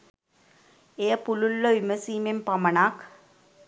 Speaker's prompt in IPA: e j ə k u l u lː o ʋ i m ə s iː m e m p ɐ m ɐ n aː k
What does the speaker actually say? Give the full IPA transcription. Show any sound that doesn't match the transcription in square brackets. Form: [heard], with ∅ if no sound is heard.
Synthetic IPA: e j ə [p] u l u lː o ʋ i m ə s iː m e m p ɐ m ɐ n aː k

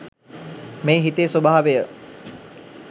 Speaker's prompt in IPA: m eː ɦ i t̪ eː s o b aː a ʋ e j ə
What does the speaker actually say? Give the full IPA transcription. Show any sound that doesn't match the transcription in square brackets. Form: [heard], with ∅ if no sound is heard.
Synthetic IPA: m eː ɦ i t̪ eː s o b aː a ʋ e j ə

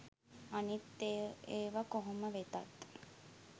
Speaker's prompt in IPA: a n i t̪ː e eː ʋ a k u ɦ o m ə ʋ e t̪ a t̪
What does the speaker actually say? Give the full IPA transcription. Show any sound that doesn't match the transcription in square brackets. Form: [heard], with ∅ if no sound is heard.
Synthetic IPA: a n i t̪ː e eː ʋ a k [o] ɦ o m ə ʋ e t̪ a t̪

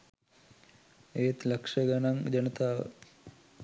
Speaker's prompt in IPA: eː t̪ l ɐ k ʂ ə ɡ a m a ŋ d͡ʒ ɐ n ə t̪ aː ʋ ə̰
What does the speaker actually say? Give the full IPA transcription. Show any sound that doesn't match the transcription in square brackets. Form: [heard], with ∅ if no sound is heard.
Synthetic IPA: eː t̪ l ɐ k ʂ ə ɡ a [n] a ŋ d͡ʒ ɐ n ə t̪ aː ʋ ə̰

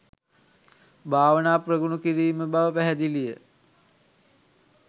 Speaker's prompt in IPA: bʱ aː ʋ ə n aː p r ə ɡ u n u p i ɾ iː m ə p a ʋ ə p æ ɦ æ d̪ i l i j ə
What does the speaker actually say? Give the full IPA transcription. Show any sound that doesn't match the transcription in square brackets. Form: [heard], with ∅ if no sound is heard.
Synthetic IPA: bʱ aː ʋ ə n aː p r ə ɡ u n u [k] i ɾ iː m ə [b] a ʋ ə p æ ɦ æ d̪ i l i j ə

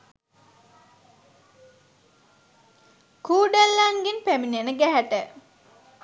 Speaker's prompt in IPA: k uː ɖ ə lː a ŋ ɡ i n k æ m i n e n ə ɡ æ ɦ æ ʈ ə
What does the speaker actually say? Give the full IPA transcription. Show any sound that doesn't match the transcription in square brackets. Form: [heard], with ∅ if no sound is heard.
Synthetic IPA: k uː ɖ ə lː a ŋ ɡ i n [p] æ m i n e n ə ɡ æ ɦ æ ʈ ə

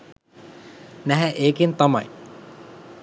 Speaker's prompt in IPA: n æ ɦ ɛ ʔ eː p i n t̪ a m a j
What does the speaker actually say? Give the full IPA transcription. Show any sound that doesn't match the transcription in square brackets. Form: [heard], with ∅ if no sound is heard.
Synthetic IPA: n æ ɦ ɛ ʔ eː [k] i n t̪ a m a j

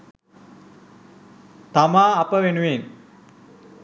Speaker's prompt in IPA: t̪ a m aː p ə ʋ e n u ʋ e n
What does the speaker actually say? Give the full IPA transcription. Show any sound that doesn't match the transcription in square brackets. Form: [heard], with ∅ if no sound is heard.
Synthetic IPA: t̪ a m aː p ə ʋ e n u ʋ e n

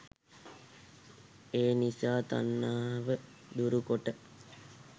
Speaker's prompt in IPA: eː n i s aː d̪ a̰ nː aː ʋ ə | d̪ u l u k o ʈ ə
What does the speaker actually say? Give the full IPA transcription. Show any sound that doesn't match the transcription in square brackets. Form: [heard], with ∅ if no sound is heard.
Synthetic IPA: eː n i s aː [t̪] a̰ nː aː ʋ ə | d̪ u [ɾ] u k o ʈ ə

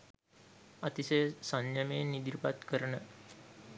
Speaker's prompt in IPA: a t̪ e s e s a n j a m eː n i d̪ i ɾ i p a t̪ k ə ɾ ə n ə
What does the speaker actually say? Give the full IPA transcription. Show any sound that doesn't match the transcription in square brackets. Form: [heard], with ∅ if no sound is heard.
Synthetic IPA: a t̪ [i] s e s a n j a m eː n i d̪ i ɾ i p a t̪ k ə ɾ ə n ə

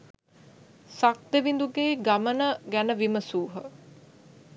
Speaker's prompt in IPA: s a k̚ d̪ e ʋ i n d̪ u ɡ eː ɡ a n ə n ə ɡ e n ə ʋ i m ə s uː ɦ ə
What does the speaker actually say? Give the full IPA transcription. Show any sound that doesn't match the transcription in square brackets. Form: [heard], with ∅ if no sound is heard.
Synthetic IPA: s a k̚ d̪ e ʋ i n d̪ u ɡ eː ɡ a [m] ə n ə ɡ [æ] n ə ʋ i m ə s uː ɦ ə

